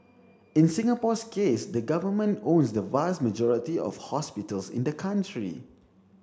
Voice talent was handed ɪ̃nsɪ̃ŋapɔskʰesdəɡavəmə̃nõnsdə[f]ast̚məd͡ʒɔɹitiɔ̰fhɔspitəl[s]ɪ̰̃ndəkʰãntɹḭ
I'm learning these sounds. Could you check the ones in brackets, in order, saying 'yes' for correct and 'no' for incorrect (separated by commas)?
no, yes